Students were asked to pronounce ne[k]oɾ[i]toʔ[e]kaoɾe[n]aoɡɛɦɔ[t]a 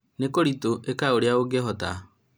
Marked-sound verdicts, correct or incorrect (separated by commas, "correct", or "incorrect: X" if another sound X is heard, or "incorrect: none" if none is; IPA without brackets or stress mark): correct, correct, correct, incorrect: none, correct